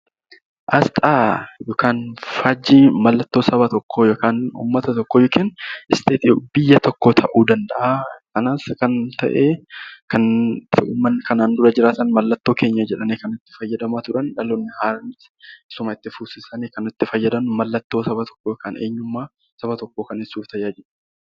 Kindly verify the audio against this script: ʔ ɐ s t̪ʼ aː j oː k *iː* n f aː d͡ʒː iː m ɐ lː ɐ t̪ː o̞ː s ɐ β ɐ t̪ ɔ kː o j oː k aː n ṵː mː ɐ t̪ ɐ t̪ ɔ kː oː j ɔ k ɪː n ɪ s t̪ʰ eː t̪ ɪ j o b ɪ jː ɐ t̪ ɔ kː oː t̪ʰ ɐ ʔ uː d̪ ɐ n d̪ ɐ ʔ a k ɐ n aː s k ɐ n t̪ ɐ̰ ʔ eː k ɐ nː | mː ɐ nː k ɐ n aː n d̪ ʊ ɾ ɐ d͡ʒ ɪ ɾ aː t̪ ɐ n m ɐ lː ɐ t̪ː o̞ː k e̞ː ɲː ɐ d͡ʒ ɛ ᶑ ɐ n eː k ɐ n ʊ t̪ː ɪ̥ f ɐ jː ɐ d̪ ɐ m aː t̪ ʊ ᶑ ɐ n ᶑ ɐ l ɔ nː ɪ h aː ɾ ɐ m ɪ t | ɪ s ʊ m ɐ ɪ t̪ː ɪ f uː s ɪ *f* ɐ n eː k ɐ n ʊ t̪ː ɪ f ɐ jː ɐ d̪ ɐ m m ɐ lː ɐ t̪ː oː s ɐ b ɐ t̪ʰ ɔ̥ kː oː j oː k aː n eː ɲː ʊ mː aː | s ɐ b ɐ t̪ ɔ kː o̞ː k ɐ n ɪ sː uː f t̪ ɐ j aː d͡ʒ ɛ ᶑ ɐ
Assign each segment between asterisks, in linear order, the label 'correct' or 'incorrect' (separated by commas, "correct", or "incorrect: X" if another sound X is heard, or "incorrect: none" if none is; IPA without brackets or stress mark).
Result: incorrect: aː, incorrect: s